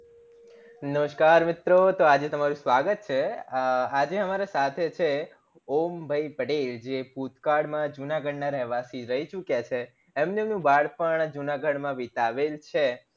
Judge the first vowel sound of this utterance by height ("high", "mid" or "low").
mid